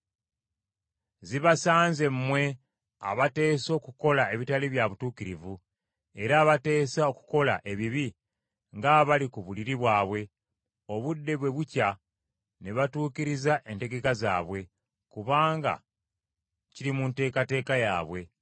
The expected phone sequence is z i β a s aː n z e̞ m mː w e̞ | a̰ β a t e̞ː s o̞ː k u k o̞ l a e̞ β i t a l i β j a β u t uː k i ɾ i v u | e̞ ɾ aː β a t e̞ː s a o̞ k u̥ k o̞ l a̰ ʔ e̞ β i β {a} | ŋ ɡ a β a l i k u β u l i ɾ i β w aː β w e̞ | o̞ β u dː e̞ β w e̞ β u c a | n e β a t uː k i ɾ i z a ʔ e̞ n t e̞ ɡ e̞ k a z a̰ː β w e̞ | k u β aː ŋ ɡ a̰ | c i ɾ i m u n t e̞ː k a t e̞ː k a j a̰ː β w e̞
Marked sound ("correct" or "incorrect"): incorrect